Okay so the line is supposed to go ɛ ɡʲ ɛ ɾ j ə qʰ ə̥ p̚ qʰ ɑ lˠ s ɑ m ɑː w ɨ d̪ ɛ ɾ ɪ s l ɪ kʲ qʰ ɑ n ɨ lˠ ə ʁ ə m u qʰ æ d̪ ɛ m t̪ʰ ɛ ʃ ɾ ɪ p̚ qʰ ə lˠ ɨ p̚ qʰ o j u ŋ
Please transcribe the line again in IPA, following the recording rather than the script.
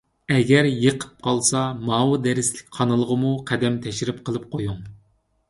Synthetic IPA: ɛ ɡʲ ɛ ɾ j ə qʰ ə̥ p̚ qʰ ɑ lˠ s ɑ m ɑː w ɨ d̪ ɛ ɾ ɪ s l ɪ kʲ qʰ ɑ n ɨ lˠ ə ʁ ə m u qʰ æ d̪ ɛ m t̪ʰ ɛ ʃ ɾ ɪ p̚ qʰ ə lˠ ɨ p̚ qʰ o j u ŋ